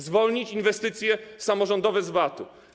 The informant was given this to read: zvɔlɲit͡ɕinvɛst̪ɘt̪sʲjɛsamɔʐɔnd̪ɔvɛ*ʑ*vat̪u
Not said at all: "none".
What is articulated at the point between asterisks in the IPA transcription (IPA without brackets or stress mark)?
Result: z